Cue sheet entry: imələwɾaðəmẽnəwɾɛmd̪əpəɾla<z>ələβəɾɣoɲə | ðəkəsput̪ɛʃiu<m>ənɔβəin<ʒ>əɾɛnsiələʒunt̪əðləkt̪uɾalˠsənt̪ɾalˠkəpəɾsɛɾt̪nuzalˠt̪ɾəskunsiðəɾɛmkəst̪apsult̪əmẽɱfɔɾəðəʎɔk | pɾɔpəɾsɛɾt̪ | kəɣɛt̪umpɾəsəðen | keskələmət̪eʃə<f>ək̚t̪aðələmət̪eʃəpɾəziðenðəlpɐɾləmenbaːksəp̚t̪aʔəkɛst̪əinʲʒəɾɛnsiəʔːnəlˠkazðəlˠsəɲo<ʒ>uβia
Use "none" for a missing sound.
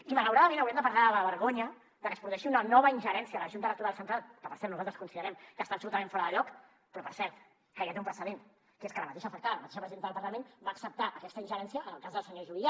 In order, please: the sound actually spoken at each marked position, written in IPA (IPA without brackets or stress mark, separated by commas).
ð, n, ʒ, f, ʒ